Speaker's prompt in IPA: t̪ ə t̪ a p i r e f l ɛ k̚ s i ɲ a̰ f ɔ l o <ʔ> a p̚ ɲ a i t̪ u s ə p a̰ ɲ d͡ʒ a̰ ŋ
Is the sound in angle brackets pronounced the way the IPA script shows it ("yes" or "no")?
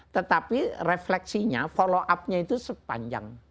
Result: yes